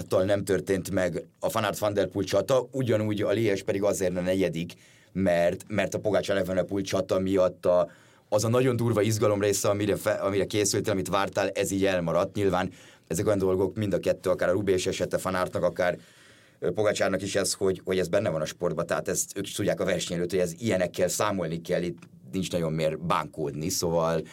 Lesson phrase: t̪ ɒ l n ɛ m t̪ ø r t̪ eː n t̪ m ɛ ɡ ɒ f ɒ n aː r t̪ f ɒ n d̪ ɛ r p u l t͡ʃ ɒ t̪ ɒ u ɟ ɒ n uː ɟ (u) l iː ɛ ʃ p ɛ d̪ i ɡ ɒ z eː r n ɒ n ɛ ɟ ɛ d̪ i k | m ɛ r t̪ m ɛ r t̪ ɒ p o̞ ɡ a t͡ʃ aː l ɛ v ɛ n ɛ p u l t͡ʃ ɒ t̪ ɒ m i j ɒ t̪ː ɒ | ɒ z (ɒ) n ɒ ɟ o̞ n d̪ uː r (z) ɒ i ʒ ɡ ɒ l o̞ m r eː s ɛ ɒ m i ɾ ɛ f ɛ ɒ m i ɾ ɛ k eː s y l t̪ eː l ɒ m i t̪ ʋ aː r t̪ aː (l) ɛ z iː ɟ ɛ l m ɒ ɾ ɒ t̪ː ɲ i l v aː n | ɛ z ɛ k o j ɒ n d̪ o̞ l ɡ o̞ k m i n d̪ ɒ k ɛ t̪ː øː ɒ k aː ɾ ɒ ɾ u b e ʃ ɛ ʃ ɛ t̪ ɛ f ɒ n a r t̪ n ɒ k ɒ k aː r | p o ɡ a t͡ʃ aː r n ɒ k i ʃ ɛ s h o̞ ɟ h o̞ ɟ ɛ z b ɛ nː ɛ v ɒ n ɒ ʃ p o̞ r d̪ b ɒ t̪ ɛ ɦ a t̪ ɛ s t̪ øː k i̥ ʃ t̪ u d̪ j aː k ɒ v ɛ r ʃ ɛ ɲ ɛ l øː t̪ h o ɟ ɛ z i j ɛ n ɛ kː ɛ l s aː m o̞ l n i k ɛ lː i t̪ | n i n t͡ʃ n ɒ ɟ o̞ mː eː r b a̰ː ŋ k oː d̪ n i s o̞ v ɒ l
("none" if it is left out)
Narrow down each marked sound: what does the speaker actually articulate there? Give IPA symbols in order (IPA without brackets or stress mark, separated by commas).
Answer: ɒ, ɒ, v, l